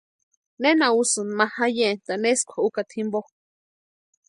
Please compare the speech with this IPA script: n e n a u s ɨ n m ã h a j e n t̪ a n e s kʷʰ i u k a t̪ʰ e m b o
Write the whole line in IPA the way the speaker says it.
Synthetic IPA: n e n a u s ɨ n m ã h a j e n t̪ a n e s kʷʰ a u k a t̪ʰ i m b o